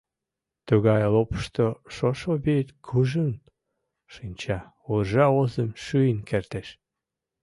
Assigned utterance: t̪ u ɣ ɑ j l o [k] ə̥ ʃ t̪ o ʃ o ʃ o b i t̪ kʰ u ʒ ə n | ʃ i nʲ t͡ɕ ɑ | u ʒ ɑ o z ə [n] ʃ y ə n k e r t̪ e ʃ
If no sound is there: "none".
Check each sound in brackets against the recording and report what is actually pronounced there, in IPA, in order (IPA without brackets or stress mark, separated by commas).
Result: p, m